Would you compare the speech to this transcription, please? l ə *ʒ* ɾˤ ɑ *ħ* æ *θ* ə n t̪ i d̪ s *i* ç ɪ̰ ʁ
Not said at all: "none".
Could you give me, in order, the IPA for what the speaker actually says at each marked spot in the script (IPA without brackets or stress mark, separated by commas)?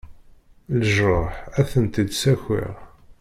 ʒ, ħ, θ, æ